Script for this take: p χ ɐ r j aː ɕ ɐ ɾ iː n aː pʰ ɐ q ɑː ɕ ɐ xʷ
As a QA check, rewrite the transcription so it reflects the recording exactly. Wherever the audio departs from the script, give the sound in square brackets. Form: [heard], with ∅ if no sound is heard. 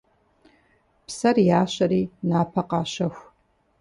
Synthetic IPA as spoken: p [s] ɐ r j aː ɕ ɐ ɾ iː n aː pʰ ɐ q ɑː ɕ ɐ xʷ